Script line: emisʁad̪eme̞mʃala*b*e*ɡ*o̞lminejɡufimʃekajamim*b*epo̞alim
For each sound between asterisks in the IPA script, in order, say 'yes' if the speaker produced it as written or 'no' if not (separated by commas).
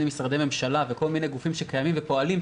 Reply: no, no, no